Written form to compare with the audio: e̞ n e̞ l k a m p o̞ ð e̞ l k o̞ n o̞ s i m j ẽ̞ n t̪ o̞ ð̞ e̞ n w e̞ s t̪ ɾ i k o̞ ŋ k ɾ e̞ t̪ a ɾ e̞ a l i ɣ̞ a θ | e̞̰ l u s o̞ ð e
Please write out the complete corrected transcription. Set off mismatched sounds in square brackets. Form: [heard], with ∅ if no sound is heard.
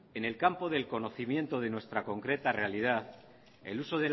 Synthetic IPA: e̞ n e̞ l k a m p o̞ ð e̞ l k o̞ n o̞ [θ] i m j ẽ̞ n t̪ o̞ ð̞ e̞ n w e̞ s t̪ ɾ [a] k o̞ ŋ k ɾ e̞ t̪ a [r] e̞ a l i [ð̞] a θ | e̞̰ l u s o̞ ð e